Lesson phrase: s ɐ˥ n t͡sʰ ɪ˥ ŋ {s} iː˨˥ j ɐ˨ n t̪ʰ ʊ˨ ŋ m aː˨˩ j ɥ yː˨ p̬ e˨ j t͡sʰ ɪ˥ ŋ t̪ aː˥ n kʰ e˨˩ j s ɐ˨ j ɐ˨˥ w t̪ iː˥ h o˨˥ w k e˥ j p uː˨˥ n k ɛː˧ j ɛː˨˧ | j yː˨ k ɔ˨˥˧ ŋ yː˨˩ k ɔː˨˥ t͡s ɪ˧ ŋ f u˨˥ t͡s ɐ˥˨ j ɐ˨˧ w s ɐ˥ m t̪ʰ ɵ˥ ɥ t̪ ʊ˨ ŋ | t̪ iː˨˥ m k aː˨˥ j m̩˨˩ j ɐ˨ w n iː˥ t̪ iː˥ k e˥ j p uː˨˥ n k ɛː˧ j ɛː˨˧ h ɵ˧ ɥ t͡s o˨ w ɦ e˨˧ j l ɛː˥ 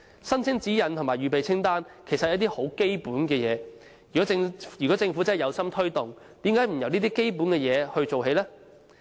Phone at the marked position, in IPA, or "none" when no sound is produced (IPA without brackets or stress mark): t͡s